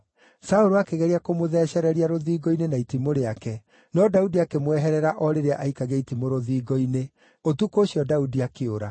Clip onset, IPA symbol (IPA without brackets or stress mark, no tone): s